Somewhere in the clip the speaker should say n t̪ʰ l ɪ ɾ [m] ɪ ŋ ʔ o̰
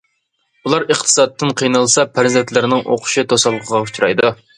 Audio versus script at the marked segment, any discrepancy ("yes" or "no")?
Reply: yes